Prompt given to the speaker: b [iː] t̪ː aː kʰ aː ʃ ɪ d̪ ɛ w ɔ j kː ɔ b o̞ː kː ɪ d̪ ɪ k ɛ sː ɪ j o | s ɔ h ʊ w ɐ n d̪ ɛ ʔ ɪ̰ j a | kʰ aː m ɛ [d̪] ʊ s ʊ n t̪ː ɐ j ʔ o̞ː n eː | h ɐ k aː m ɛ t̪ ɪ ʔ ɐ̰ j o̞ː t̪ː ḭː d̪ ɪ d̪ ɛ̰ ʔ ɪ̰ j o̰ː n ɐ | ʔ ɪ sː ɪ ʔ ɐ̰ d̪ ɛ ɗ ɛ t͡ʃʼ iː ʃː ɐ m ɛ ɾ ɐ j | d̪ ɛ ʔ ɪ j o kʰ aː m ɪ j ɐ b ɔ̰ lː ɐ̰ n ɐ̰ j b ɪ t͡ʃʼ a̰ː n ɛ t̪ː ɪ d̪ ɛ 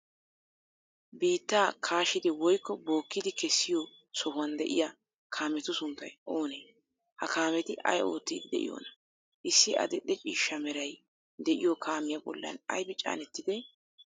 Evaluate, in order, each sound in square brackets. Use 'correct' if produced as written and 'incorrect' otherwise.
correct, incorrect

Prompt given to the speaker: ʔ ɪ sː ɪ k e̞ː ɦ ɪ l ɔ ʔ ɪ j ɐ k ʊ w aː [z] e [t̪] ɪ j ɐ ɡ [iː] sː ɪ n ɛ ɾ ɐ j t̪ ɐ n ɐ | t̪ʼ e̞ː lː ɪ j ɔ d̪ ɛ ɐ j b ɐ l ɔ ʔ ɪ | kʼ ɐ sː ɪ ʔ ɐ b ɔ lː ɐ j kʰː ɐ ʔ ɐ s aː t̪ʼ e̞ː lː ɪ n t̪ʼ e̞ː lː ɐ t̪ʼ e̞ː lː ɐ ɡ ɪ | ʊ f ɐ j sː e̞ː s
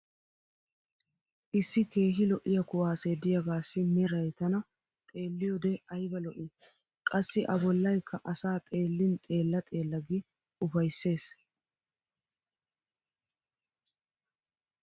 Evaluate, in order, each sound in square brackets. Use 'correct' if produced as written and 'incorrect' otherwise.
incorrect, incorrect, incorrect

